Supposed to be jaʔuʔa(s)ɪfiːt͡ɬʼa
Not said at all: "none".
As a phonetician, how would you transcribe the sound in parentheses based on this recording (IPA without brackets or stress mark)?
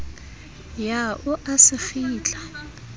s